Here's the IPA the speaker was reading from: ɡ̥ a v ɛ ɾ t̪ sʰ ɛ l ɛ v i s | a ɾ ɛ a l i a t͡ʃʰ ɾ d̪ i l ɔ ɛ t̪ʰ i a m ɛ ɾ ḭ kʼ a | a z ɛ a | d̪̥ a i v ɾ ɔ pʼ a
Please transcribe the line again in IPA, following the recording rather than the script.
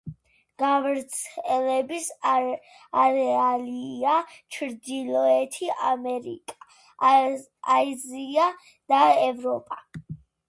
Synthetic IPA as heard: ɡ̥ a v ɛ ɾ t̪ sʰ ɛ l ɛ b i s | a ɾ ɛ a l i a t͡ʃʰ ɾ d̪ i l ɔ ɛ t̪ʰ i a m ɛ ɾ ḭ kʼ a | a z i a | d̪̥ a ɛ v ɾ ɔ pʼ a